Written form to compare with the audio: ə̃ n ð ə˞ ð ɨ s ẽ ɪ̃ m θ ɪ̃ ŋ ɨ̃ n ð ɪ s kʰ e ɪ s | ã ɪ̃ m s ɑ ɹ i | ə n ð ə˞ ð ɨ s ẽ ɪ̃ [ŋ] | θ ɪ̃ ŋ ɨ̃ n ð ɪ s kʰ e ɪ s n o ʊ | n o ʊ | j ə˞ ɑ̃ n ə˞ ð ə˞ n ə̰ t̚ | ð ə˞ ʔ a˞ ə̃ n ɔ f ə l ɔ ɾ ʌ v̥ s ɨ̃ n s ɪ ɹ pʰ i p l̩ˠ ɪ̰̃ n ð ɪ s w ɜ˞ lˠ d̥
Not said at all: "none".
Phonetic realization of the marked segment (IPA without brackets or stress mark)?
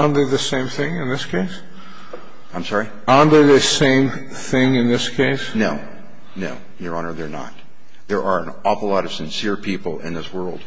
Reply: m